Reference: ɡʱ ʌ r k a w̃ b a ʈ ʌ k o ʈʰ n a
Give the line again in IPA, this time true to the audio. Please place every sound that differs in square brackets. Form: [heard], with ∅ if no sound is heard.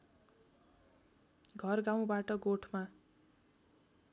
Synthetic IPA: ɡʱ ʌ r [ɡ] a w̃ b a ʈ ʌ [ɡ] o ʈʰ [m] a